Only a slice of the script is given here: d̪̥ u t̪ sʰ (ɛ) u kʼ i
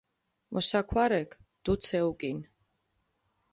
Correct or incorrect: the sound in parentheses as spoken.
correct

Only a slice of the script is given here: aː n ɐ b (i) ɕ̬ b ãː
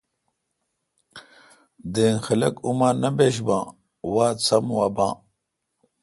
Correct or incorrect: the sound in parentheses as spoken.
incorrect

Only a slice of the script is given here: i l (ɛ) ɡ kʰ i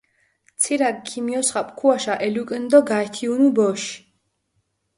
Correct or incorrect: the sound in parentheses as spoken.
incorrect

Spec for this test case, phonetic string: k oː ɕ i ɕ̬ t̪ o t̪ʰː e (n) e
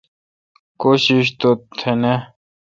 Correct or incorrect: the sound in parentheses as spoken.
correct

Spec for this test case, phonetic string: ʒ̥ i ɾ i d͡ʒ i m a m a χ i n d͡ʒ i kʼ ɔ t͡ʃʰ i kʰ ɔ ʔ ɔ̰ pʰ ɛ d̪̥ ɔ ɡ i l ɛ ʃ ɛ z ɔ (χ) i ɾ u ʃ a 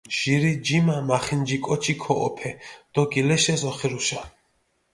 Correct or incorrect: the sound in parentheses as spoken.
correct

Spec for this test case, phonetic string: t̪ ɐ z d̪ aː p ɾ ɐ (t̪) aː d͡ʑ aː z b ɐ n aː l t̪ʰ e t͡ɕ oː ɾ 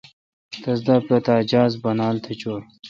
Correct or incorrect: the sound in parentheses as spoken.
correct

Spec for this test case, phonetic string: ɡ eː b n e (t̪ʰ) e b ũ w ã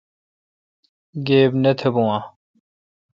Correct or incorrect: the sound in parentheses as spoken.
correct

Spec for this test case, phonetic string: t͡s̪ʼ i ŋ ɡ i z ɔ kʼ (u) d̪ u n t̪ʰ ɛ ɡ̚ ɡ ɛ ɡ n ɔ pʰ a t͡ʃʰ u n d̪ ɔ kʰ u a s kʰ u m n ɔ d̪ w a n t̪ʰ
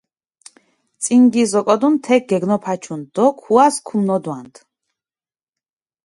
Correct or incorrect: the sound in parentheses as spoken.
incorrect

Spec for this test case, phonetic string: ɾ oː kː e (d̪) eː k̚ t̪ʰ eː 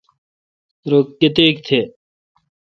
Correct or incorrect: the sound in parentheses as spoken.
incorrect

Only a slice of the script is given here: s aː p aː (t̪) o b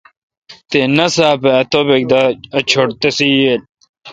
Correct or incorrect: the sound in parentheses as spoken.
correct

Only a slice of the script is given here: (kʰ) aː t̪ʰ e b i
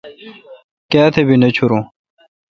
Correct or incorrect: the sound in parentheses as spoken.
incorrect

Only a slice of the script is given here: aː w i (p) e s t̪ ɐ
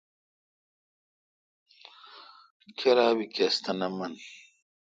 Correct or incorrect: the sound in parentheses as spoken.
incorrect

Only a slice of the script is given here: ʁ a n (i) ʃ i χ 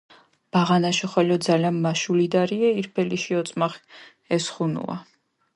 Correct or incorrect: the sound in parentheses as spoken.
incorrect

